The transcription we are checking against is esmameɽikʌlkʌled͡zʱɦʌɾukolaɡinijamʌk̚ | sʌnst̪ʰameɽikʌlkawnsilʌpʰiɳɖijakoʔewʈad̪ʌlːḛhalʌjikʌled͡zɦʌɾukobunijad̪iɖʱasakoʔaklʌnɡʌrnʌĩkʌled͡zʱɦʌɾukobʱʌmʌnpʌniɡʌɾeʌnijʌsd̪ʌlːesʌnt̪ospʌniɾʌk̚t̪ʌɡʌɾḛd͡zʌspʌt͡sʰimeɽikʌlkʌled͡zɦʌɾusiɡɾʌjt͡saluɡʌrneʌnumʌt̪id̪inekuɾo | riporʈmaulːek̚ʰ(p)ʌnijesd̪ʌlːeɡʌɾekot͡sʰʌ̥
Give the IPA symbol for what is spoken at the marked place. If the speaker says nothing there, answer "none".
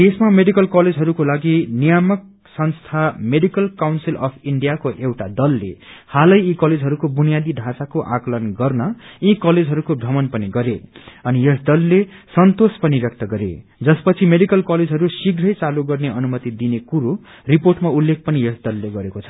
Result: p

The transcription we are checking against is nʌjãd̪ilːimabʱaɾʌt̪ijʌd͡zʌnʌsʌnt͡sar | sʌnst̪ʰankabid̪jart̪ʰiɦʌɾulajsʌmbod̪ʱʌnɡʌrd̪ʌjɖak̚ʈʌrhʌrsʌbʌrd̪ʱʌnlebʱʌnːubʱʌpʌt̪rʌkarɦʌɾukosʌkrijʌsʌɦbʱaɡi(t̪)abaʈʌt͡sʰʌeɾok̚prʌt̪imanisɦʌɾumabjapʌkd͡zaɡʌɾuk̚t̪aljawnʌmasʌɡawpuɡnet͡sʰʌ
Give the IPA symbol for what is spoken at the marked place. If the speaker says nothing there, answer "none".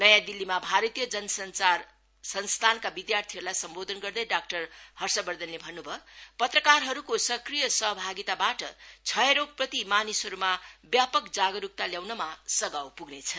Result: t̪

